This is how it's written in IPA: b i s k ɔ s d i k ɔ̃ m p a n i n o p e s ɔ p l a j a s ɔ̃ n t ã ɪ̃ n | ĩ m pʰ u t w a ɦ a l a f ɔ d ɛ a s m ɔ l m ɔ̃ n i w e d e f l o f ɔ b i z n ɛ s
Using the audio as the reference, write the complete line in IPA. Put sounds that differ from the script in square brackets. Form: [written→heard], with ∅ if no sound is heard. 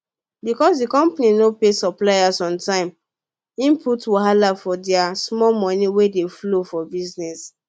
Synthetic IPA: b i [s→∅] k ɔ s d i k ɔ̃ m p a n i n o p e s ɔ p l a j a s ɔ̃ n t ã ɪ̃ [n→m] | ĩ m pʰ u t w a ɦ a l a f ɔ d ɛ a s m ɔ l m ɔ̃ n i w e d e f l o f ɔ b i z n ɛ s